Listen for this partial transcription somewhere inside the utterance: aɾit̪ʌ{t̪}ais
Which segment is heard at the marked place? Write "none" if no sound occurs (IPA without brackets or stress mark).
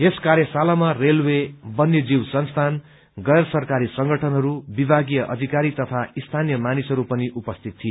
t̪ʰ